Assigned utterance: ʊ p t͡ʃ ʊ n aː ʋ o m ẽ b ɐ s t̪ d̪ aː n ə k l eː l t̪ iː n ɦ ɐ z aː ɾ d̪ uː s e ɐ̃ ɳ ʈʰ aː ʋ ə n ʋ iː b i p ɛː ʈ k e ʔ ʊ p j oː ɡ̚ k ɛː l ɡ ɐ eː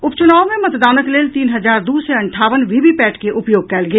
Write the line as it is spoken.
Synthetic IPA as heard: ʊ p t͡ʃ ʊ n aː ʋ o m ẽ m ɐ t̪ d̪ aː n ə k l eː l t̪ iː n ɦ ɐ z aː ɾ d̪ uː s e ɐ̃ ɳ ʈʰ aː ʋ ə n ʋ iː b i p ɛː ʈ k e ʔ ʊ p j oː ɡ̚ k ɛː l ɡ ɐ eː

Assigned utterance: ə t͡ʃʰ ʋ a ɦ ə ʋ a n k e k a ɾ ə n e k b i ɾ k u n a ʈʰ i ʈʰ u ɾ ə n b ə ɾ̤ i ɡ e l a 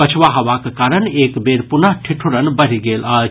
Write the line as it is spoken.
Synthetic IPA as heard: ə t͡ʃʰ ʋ a ɦ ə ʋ a k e k a ɾ ə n e k b e ɾ p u n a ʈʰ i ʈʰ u ɾ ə n b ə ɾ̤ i ɡ e l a

